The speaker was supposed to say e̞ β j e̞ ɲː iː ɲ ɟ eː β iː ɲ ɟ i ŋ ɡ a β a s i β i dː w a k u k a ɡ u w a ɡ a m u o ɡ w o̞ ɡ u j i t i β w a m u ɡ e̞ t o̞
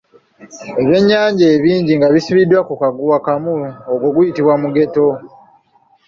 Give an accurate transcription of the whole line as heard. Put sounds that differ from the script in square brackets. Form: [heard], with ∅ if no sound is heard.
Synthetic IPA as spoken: e̞ β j e̞ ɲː [aː] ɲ ɟ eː β iː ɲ ɟ i ŋ ɡ a β [i] s i β i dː w a k u k a ɡ u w a [k] a m u o ɡ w o̞ ɡ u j i t i β w a m u ɡ e̞ t o̞